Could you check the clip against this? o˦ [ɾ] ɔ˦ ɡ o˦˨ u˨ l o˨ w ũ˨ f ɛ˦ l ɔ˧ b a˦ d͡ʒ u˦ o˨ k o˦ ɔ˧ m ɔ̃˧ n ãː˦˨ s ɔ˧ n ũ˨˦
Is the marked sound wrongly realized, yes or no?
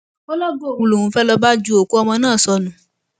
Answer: yes